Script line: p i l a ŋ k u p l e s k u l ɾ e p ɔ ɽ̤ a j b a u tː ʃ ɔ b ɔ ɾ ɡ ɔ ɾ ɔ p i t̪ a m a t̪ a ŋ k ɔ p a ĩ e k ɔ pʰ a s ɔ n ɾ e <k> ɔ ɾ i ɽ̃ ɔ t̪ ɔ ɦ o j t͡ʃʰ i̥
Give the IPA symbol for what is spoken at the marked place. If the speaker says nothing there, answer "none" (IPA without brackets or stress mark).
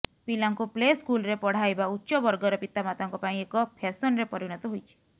p